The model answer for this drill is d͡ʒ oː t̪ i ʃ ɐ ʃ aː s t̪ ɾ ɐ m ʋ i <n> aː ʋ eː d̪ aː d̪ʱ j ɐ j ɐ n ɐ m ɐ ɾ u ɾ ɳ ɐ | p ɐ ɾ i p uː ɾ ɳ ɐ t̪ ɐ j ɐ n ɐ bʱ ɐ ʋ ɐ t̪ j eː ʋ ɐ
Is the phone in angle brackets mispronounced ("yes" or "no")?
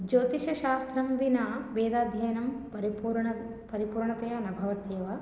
no